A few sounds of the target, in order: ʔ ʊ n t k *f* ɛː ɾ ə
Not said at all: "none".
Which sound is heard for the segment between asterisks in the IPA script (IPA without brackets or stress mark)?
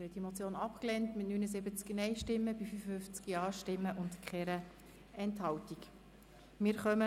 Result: χ